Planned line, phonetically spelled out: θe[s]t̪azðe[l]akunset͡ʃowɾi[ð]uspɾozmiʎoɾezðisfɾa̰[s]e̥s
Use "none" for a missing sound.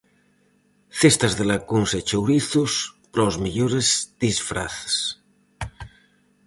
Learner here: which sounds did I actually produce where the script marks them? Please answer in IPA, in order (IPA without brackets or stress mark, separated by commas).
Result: s, l, θ, θ